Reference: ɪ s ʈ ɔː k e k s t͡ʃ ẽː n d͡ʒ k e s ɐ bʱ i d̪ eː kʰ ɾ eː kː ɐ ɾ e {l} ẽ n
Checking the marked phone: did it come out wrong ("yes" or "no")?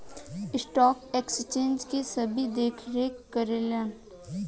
no